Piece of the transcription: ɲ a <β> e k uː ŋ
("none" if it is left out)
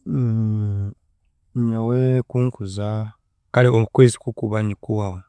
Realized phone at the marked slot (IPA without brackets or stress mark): w